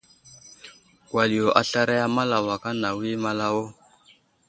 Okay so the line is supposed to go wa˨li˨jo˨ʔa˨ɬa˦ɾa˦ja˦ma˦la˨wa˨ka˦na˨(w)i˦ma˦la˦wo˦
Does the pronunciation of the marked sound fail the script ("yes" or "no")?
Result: no